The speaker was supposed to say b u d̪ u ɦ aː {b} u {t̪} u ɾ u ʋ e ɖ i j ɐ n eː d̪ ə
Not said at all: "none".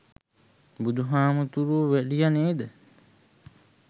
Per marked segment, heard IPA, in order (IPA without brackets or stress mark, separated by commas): m, t̪